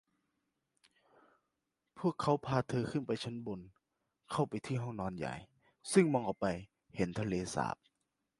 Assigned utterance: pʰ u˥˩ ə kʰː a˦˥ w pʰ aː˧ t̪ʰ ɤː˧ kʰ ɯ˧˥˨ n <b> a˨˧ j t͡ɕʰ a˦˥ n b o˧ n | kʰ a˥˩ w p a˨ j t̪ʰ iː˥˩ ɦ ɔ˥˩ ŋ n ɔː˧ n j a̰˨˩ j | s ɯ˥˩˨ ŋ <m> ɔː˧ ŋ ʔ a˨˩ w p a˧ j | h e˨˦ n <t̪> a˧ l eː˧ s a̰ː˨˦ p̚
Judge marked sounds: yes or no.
no, yes, no

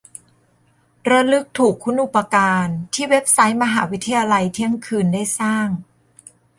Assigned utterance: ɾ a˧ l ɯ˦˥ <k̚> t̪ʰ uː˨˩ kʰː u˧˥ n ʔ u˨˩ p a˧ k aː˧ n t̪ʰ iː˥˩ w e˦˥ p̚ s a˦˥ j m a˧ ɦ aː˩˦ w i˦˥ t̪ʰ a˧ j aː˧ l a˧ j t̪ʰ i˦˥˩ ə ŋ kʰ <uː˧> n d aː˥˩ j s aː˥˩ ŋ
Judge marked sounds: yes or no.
yes, no

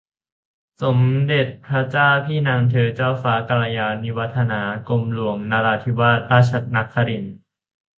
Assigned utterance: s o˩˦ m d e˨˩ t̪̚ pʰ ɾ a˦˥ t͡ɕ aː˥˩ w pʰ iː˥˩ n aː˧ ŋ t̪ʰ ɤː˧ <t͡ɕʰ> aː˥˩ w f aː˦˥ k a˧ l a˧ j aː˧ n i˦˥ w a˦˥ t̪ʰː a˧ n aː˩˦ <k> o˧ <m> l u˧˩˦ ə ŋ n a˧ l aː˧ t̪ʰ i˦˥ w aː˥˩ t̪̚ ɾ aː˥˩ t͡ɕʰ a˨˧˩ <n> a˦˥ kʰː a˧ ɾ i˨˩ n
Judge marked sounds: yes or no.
no, yes, yes, yes

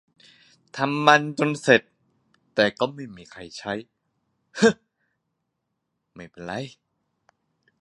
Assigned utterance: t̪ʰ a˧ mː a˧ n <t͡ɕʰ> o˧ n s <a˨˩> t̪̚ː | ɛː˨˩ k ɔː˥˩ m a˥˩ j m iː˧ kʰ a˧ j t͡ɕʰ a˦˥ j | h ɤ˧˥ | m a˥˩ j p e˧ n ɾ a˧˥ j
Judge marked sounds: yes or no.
no, no

